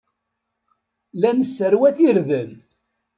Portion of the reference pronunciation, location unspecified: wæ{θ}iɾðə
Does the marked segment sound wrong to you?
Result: no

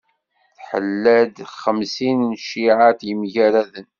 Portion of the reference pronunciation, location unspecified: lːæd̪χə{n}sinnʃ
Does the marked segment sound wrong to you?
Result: yes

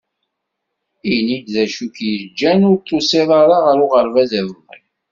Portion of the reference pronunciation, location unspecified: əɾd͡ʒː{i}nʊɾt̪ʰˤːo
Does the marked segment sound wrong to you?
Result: yes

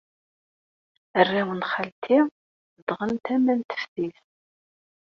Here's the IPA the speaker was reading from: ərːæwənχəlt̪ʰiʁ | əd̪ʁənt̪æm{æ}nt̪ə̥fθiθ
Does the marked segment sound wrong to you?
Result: no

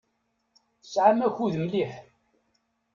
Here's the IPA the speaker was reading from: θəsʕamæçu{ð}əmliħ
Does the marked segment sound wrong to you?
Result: no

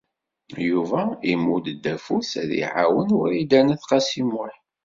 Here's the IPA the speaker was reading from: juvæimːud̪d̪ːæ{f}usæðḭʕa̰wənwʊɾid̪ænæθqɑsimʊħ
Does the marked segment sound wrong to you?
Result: no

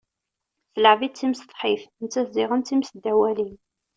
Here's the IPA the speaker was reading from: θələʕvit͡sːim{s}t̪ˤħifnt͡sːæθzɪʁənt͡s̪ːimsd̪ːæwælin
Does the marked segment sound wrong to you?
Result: no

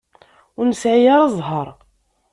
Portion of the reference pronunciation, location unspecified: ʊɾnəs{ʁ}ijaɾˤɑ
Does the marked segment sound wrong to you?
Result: yes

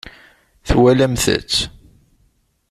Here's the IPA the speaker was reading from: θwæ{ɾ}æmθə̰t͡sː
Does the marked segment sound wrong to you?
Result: yes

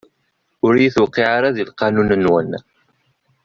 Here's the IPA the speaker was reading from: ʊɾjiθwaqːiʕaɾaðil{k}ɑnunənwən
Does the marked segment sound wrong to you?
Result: yes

